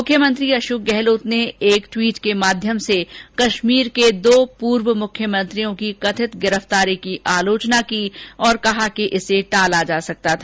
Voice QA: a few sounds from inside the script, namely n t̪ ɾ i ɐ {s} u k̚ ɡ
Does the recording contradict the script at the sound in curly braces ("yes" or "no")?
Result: yes